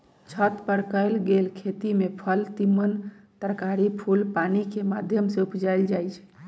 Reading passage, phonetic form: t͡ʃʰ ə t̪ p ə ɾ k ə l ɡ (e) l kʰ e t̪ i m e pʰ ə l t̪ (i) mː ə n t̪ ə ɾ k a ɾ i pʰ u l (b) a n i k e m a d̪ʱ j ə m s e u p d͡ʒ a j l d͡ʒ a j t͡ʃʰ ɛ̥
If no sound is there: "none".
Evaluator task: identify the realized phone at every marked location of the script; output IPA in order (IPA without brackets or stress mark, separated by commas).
e, i, p